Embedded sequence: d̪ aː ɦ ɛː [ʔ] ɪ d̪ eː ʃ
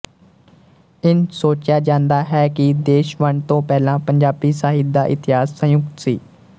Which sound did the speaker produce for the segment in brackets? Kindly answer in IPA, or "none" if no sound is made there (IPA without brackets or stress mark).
k